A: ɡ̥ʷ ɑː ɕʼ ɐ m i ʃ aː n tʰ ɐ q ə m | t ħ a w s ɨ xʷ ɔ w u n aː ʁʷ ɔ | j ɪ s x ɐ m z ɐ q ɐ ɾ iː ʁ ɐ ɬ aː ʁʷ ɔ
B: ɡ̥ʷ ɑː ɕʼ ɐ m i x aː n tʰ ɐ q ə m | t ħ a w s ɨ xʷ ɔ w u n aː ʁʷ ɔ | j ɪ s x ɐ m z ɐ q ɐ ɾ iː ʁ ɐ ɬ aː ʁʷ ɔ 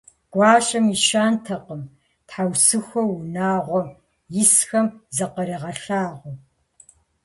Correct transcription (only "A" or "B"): A